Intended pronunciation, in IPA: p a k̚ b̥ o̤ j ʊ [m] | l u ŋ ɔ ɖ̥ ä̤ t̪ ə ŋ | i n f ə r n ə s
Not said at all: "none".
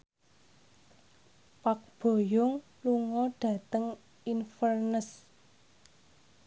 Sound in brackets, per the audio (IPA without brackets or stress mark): ŋ